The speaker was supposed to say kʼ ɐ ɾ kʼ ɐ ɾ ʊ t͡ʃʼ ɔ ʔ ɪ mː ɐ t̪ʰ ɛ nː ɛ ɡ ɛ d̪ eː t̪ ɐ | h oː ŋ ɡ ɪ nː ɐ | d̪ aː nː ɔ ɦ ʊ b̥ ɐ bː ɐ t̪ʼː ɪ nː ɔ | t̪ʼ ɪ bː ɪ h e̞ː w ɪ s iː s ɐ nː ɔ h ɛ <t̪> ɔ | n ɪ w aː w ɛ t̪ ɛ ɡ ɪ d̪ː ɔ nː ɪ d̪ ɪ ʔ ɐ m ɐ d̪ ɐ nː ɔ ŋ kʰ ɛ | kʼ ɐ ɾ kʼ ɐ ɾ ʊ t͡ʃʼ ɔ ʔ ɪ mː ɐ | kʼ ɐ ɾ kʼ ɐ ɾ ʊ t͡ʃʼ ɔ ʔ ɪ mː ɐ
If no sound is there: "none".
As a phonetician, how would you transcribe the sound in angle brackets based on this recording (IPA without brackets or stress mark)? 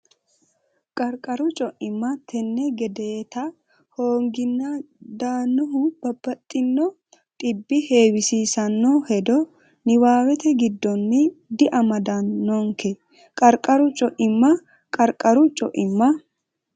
d̪